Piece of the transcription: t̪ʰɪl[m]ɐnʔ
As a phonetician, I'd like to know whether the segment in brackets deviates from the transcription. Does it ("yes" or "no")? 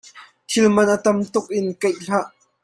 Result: no